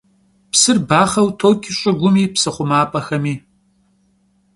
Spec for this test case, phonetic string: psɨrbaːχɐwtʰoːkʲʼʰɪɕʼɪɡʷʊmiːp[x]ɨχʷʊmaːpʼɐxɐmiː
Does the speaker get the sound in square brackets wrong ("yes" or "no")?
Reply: yes